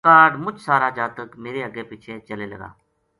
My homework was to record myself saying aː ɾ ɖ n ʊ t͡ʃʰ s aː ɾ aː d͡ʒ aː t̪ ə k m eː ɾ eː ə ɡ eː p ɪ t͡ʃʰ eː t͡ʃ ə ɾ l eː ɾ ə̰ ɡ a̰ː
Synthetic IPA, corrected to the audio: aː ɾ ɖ m ʊ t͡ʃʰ s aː ɾ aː d͡ʒ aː t̪ ə k m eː ɾ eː ə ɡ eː p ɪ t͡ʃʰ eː t͡ʃ ə l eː l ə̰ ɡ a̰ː